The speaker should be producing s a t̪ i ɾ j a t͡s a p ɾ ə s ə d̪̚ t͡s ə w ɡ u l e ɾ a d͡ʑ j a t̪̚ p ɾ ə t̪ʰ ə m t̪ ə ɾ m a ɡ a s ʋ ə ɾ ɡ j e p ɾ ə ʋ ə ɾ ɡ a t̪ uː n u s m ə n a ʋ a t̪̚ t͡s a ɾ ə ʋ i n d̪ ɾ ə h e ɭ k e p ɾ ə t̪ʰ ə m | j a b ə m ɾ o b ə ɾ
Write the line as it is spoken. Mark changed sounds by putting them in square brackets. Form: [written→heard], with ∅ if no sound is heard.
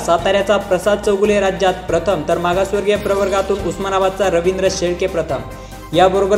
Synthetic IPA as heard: s a t̪ [i→a] ɾ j a t͡s a p ɾ ə s [ə→a] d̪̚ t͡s ə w ɡ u l e ɾ a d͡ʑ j a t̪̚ p ɾ ə t̪ʰ ə m t̪ ə ɾ m a ɡ a s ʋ ə ɾ ɡ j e p ɾ ə ʋ ə ɾ ɡ a t̪ uː n u s m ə n a ʋ a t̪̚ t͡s a ɾ ə ʋ i n d̪ ɾ ə [h→ɕ] e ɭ k e p ɾ ə t̪ʰ ə m | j a b ə [m→∅] ɾ o b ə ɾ